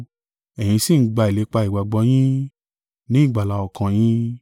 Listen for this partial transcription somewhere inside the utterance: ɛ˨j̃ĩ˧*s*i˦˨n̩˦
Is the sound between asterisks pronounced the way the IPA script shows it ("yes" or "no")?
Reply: yes